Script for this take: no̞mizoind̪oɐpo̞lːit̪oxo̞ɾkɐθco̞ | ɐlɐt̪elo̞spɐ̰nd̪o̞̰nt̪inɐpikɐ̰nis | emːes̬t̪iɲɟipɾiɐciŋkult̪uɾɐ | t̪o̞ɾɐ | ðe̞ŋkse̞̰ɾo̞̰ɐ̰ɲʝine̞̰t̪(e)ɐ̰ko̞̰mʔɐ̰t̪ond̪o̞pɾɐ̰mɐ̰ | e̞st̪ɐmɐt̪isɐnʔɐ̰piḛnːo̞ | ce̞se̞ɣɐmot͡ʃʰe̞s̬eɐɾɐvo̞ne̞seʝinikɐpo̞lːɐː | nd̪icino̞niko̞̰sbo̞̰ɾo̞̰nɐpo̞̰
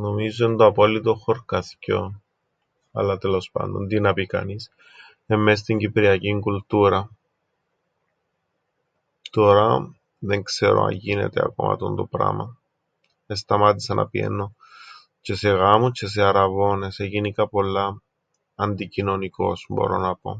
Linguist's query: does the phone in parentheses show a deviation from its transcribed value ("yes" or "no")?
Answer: no